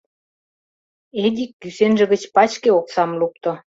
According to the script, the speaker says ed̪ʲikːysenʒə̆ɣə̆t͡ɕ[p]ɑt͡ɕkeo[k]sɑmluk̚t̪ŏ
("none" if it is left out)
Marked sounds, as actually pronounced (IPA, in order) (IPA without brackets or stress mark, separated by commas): p, k